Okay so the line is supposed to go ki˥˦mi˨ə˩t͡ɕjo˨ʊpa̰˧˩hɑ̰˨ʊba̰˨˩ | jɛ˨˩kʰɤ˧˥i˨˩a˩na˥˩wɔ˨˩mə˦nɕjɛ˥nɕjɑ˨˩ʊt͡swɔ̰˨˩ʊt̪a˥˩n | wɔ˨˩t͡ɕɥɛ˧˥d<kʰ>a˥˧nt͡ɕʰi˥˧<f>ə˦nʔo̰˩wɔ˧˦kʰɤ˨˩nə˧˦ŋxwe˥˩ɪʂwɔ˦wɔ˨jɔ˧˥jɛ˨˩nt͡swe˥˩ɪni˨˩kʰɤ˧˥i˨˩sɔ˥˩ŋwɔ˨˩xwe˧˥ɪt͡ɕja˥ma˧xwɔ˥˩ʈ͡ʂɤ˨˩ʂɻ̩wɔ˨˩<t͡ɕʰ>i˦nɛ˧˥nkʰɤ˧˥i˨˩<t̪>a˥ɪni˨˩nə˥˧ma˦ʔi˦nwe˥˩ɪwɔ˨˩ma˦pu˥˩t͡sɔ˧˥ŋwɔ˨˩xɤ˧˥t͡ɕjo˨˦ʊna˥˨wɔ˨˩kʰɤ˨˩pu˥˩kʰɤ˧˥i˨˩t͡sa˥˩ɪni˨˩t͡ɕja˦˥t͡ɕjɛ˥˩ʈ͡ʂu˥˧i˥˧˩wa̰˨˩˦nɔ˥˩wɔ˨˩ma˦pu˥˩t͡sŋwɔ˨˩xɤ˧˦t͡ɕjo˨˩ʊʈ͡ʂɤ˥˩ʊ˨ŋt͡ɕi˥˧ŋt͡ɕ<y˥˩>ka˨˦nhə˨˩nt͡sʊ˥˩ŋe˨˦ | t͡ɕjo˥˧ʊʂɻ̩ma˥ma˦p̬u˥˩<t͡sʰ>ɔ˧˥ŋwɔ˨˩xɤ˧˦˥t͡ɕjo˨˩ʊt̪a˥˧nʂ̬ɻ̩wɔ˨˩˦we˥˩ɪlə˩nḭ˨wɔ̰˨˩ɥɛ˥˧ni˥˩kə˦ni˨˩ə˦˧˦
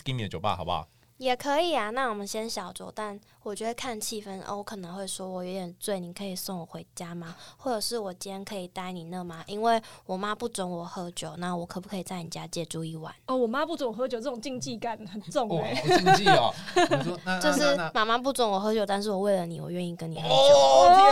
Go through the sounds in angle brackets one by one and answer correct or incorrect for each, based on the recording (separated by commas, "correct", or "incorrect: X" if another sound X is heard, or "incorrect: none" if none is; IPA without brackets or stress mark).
correct, correct, incorrect: t͡ɕ, correct, incorrect: i˥˩, incorrect: t͡s